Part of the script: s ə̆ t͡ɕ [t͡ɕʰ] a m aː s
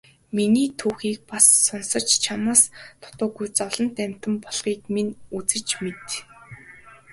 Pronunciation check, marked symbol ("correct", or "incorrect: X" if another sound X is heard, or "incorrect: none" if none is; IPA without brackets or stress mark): correct